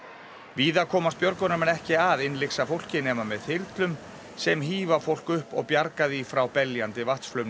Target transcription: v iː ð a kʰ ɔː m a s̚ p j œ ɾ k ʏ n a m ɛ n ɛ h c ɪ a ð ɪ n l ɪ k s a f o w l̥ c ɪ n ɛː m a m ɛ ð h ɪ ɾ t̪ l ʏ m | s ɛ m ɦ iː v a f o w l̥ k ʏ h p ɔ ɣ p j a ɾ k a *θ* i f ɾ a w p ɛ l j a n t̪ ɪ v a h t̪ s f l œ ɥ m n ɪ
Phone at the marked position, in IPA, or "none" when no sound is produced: ð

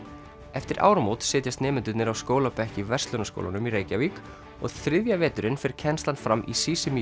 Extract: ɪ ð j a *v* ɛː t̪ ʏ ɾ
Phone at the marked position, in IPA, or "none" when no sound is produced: v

